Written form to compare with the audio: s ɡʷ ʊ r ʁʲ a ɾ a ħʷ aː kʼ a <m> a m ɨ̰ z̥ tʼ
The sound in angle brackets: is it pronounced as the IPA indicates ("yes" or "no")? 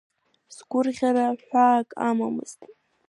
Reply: yes